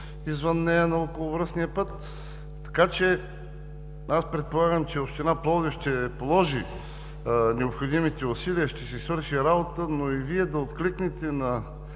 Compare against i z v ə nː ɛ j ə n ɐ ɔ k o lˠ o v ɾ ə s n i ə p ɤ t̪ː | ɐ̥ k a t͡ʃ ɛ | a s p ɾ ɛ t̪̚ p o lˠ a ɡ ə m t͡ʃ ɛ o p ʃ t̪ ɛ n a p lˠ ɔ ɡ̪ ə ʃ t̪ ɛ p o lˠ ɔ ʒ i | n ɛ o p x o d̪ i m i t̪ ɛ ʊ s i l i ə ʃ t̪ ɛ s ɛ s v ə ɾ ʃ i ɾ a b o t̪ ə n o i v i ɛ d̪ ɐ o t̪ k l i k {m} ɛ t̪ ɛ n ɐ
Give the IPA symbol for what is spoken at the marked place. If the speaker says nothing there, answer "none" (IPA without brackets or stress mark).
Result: n